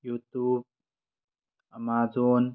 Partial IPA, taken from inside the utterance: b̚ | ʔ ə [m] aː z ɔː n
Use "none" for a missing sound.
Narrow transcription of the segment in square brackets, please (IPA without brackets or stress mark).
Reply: m